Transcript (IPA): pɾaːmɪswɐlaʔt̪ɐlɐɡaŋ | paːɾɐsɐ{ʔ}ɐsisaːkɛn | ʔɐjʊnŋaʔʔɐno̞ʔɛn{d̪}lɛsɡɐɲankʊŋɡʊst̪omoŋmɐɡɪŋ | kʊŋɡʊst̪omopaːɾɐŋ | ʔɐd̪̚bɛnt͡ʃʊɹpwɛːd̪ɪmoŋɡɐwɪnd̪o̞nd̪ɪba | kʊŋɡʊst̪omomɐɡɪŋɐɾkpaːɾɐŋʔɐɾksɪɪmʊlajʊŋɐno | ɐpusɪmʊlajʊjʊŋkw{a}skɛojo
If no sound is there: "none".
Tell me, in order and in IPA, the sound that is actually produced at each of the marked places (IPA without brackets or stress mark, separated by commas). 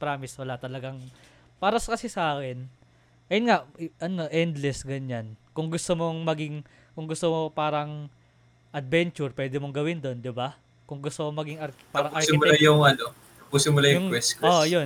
k, d̪, ɛ